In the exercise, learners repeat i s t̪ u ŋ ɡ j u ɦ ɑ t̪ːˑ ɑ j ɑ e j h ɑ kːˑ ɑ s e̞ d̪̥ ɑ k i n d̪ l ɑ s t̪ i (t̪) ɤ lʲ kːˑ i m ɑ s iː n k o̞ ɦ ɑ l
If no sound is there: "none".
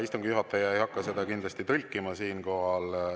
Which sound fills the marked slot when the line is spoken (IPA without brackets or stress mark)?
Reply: t̪